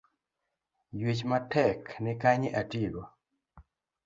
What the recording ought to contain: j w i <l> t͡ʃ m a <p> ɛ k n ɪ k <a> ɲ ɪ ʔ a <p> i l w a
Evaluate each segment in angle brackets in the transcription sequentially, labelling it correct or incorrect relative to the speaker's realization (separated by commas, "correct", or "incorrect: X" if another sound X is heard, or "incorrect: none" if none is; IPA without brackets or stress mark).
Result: incorrect: none, incorrect: t, correct, incorrect: t